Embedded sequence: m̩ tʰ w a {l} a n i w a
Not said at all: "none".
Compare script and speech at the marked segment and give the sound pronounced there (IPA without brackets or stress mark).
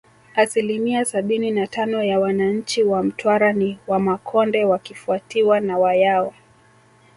ɾ